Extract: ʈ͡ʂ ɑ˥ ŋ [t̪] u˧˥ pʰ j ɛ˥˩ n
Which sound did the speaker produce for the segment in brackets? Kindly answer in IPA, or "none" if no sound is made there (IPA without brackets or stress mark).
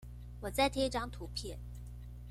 t̪ʰ